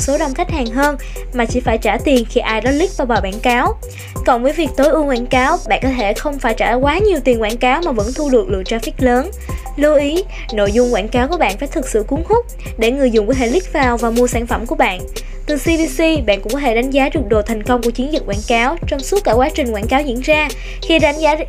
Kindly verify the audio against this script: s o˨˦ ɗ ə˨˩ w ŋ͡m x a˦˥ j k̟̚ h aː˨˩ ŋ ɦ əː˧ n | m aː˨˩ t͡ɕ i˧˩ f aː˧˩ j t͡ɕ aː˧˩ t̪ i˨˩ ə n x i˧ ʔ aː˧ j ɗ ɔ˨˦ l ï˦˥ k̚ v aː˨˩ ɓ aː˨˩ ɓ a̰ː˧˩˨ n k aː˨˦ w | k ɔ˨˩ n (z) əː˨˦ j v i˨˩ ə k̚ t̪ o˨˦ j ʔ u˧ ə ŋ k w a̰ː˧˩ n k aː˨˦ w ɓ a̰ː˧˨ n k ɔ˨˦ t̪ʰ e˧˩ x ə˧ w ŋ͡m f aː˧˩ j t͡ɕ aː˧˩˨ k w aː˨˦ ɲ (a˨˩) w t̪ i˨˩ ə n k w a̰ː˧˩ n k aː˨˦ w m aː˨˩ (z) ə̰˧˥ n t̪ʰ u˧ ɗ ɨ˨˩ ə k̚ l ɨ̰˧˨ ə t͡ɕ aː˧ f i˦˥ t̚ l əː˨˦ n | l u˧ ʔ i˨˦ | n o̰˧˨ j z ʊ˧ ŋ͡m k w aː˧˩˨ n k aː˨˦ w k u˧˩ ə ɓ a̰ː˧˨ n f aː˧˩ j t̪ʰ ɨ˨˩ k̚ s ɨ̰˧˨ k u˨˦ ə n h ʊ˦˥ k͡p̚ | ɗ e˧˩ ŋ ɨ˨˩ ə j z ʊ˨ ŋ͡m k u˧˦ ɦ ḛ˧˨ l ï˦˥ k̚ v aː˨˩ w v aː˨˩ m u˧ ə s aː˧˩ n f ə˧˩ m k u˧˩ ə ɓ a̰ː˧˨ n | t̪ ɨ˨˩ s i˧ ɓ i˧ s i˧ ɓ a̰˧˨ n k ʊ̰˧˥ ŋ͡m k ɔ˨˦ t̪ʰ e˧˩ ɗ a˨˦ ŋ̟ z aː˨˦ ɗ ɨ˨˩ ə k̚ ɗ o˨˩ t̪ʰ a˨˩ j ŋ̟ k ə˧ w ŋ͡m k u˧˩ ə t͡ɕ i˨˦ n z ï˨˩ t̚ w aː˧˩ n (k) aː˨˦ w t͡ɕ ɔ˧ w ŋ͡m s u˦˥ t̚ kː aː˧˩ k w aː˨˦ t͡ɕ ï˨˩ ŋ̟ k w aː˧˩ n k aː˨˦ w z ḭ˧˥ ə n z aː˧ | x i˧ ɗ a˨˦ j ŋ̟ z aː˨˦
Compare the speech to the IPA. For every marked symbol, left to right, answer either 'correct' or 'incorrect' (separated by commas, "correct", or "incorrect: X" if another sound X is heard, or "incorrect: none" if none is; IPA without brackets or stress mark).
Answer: incorrect: v, incorrect: i˨˩, incorrect: v, correct